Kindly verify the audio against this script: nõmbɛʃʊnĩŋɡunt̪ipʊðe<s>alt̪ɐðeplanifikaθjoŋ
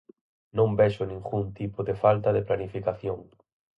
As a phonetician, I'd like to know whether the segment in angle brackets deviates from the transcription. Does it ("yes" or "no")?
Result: yes